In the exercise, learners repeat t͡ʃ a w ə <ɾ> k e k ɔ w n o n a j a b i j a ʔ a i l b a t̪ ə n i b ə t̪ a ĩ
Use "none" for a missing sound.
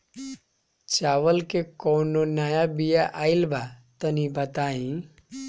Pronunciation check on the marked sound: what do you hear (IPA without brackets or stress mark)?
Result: l